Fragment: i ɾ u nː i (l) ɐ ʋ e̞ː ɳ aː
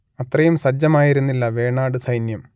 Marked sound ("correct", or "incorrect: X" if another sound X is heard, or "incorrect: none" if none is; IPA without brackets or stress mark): incorrect: lː